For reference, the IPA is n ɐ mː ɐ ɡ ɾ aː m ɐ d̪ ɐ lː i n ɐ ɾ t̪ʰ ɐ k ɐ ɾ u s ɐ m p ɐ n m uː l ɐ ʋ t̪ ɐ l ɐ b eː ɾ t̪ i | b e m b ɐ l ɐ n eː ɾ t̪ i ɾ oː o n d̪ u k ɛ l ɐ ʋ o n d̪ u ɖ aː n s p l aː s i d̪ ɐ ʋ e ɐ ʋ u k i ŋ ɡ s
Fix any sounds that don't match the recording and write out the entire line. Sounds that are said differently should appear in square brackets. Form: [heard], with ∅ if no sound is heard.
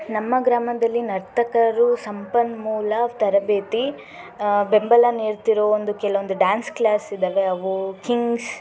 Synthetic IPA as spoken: n ɐ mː ɐ ɡ ɾ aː m ɐ d̪ ɐ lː i n ɐ ɾ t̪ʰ ɐ k ɐ ɾ u s ɐ m p ɐ n m uː l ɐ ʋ t̪ ɐ [ɾ] ɐ b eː [∅] t̪ i | b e m b ɐ l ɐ n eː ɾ t̪ i ɾ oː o n d̪ u k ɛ l ɐ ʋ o n d̪ u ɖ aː n s [k] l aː s i d̪ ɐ ʋ e ɐ ʋ u k i ŋ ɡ s